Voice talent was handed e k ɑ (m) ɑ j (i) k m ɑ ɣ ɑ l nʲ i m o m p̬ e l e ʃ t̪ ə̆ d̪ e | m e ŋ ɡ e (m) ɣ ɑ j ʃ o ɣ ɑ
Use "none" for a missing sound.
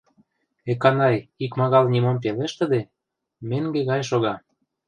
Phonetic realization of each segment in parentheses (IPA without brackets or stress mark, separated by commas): n, i, none